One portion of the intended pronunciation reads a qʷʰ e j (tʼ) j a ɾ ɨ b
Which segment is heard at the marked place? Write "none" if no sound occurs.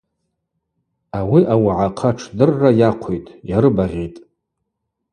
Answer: tʼ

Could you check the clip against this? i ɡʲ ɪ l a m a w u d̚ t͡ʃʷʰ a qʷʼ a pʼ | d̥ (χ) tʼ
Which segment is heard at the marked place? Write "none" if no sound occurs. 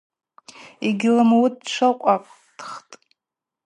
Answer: χ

